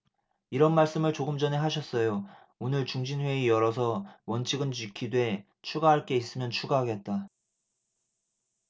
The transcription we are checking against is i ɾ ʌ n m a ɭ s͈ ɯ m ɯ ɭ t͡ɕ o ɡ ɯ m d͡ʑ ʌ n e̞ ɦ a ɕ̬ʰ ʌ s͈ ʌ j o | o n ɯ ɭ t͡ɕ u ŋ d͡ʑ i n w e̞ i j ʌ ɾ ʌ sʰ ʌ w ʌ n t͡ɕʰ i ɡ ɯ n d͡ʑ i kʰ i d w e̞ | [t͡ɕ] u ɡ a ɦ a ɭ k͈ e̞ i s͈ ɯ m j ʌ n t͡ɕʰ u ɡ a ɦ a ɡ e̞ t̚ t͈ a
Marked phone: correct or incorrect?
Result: incorrect